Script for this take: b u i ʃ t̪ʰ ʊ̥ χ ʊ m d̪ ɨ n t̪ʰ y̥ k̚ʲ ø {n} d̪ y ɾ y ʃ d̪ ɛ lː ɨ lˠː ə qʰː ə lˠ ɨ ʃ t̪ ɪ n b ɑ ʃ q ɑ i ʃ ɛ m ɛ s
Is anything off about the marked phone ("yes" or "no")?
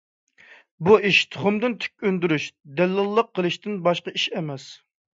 no